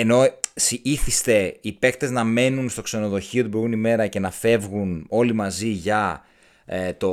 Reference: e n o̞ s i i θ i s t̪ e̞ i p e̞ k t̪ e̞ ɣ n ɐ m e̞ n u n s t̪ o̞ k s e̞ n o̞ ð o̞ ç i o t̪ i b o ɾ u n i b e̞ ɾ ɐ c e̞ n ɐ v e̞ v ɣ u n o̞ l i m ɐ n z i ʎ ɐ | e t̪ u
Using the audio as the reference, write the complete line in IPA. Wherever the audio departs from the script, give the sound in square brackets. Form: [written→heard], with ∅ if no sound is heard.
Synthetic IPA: e n o̞ s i i θ i s t̪ e̞ i p e̞ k t̪ e̞ [ɣ→z] n ɐ m e̞ n u n s t̪ o̞ k s e̞ n o̞ ð o̞ ç i o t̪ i b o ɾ u n i [b→m] e̞ ɾ ɐ c e̞ n ɐ [v→f] e̞ v ɣ u n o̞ l i m ɐ [n→∅] z i [ʎ→ʝ] ɐ | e t̪ [u→o]